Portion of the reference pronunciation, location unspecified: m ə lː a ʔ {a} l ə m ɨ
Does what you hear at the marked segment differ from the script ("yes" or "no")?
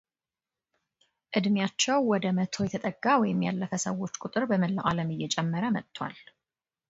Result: no